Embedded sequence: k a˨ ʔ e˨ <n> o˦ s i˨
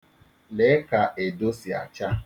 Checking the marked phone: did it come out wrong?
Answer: yes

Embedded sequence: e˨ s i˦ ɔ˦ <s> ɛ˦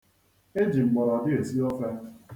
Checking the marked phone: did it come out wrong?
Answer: yes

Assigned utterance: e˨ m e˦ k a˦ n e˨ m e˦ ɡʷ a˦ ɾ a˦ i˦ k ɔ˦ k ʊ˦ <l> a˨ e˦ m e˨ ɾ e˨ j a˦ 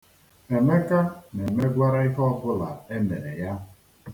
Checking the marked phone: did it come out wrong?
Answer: no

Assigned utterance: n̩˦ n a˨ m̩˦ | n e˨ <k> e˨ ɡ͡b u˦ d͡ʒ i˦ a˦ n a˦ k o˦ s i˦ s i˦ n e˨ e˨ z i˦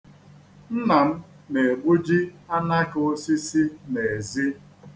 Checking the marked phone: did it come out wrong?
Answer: yes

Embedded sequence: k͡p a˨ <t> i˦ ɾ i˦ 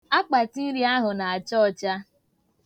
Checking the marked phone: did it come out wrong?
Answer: no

